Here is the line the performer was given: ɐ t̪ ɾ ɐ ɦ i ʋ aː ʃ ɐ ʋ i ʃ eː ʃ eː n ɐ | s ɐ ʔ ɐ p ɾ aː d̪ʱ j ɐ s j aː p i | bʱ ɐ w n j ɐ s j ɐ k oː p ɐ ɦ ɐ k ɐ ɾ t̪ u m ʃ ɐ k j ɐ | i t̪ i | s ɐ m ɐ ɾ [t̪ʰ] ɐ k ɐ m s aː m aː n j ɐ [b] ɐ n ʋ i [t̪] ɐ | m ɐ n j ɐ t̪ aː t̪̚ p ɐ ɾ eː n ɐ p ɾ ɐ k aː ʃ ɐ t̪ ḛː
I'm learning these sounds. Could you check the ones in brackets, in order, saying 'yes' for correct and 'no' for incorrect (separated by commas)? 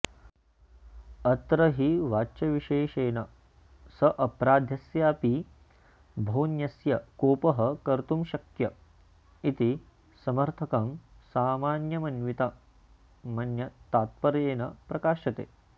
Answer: yes, no, yes